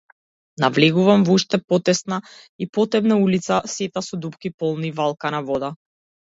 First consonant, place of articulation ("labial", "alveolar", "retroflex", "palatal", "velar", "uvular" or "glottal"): alveolar